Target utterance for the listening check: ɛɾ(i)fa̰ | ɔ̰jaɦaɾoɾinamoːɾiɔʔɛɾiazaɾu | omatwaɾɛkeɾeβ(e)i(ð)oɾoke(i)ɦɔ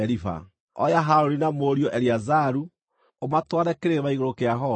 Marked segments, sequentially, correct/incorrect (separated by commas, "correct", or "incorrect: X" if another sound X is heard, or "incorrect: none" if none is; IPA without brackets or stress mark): correct, incorrect: a, incorrect: ɣ, incorrect: a